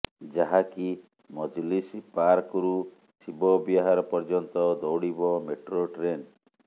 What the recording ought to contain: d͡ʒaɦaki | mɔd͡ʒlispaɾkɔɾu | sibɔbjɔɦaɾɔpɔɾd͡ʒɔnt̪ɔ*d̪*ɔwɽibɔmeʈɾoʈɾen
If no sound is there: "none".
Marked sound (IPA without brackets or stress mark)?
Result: d̪